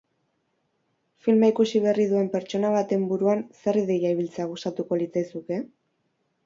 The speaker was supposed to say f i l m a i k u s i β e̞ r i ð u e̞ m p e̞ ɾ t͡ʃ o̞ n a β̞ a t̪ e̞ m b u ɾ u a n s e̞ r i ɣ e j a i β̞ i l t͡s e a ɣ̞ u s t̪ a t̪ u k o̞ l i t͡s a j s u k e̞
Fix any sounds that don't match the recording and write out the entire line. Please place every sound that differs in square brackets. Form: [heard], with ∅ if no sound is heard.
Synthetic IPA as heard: f i l m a i k u s i β e̞ r i ð u e̞ m p e̞ ɾ t͡ʃ o̞ n a β̞ a t̪ e̞ m b u ɾ u a n s e̞ r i [ð] e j a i β̞ i l t͡s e a ɣ̞ u s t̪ a t̪ u k o̞ l i t͡s a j s u k e̞